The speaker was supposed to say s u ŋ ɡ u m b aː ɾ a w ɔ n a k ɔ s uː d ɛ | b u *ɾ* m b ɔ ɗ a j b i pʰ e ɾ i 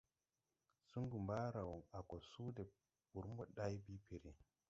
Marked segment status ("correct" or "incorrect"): correct